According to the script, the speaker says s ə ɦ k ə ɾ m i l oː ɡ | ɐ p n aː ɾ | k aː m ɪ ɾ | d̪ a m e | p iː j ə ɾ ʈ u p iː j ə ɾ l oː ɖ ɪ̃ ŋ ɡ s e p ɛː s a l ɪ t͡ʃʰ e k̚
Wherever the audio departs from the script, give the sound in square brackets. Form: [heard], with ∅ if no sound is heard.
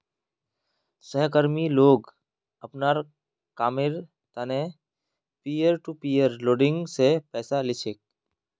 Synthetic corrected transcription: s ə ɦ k ə ɾ m i l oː ɡ | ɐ p n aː ɾ | k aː m ɪ ɾ | [t̪] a [n] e | p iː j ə ɾ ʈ u p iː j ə ɾ l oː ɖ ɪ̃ ŋ ɡ s e p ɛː s a l ɪ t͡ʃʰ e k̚